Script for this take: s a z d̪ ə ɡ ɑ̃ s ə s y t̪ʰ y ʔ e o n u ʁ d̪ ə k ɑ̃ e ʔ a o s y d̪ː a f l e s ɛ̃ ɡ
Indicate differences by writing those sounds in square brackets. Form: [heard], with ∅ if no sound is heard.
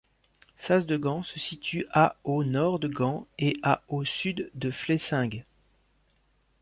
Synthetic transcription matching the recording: s a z d̪ ə ɡ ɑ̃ s ə s [i] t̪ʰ y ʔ [a] o n [ɔ] ʁ d̪ ə [ɡ] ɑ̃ e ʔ a o s y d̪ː [ə] f l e s ɛ̃ ɡ